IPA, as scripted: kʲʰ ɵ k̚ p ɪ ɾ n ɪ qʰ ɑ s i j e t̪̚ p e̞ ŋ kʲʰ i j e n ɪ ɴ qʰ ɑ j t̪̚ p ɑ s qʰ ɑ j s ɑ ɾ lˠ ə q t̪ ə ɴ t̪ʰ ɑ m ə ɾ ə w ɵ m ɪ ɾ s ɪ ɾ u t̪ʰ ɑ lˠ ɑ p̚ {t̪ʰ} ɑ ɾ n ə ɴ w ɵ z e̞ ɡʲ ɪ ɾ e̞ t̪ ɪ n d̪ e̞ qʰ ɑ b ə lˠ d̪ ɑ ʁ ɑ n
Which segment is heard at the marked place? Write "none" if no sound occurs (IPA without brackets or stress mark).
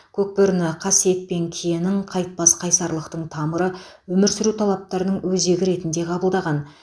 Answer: t̪